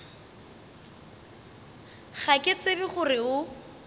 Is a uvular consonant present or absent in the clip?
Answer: present